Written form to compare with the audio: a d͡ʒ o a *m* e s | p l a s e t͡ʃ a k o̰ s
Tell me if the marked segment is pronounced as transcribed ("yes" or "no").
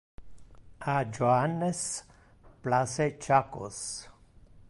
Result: no